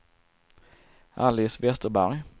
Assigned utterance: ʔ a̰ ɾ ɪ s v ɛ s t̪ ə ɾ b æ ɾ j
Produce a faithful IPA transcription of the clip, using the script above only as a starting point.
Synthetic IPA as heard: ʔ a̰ l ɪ s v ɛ s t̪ ə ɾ b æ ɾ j